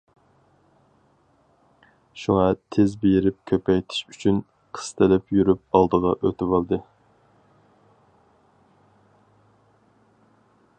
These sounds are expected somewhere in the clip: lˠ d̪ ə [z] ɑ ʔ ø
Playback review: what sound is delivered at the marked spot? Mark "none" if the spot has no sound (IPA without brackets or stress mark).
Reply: ʁ